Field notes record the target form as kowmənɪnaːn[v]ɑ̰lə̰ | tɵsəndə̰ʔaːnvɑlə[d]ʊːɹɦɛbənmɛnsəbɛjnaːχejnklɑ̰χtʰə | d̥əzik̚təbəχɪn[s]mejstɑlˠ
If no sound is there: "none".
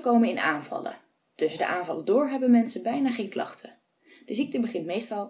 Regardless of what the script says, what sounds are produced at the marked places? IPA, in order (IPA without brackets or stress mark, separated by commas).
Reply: v, d, t